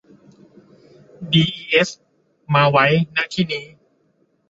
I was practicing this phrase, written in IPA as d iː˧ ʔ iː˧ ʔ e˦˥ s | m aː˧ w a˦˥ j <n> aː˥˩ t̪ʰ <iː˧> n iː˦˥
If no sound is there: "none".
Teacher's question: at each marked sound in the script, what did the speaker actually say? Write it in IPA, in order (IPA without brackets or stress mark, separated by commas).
n, iː˥˩